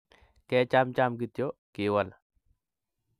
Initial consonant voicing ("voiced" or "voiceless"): voiceless